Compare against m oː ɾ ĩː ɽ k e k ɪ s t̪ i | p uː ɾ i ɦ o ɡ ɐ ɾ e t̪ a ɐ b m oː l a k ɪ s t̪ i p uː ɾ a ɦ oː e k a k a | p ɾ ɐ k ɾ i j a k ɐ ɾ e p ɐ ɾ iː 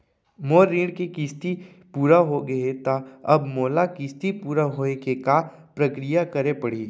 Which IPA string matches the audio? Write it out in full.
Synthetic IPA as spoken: m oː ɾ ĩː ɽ k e k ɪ s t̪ i | p uː ɾ a ɦ o ɡ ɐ e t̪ a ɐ b m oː l a k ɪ s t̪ i p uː ɾ a ɦ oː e k e k a | p ɾ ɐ k ɾ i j a k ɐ ɾ e p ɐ ɽ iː